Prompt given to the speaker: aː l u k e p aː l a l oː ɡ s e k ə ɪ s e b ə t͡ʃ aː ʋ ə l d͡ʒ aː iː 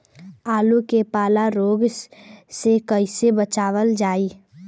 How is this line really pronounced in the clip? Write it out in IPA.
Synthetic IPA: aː l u k e p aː l a ɾ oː ɡ s e k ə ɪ s e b ə t͡ʃ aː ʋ ə l d͡ʒ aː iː